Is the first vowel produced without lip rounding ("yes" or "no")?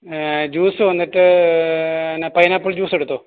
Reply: no